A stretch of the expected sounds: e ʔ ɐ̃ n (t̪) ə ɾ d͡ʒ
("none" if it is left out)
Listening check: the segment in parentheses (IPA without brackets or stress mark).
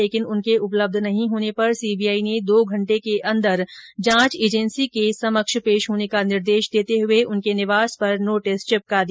d̪